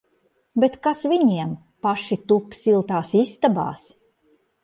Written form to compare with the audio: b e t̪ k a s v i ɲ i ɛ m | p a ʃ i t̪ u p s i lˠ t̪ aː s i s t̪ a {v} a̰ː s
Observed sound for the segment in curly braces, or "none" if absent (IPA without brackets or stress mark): b